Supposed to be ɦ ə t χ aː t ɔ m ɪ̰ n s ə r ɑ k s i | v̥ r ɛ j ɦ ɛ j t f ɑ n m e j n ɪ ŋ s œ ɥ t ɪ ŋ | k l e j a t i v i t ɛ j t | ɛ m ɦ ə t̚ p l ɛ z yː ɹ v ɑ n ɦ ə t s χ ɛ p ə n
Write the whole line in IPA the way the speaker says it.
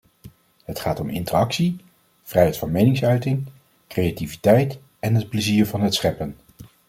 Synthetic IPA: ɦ ə t χ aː t ɔ m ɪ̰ n t ə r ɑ k s i | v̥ r ɛ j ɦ ɛ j t f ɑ n m e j n ɪ ŋ s œ ɥ t ɪ ŋ | k r e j a t i v i t ɛ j t | ɛ n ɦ ə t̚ p l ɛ z iː ɹ v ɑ n ɦ ə t s χ ɛ p ə n